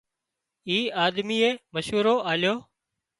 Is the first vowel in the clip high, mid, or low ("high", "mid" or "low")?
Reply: high